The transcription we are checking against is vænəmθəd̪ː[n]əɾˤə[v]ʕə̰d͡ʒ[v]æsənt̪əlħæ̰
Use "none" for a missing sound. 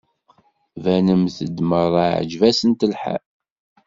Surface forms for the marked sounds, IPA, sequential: m, none, v

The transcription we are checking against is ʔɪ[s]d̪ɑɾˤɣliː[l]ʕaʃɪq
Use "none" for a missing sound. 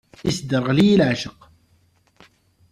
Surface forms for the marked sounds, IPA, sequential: s, l

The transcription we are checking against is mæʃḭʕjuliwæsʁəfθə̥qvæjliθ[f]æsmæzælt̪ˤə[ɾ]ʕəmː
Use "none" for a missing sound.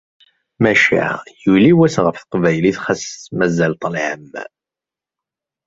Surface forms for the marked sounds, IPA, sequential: χ, l

